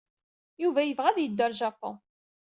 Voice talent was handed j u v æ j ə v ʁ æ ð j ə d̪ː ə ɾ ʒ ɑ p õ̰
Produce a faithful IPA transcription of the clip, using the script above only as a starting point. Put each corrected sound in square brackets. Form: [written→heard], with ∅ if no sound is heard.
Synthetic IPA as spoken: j u v æ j ə v ʁ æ ð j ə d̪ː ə ɾ ʒ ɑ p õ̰